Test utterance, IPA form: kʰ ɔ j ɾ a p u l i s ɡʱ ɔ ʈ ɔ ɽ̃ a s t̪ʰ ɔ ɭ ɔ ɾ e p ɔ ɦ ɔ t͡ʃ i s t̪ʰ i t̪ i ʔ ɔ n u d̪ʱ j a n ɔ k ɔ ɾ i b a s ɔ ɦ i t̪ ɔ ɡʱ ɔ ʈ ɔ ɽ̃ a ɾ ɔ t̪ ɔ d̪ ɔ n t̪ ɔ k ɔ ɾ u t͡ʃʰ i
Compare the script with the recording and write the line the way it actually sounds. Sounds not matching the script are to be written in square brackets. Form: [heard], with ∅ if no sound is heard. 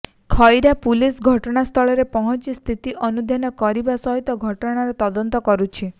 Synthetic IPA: kʰ ɔ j ɾ a p u l i s ɡʱ ɔ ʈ ɔ ɽ̃ a s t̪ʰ ɔ ɭ ɔ ɾ e p ɔ ɦ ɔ t͡ʃ i s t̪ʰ i t̪ i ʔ ɔ n u d̪ʱ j a n ɔ k ɔ ɾ i b a s ɔ ɦ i t̪ ɔ ɡʱ ɔ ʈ ɔ ɽ̃ a ɾ ɔ t̪ ɔ d̪ ɔ n t̪ ɔ k ɔ ɾ u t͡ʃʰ i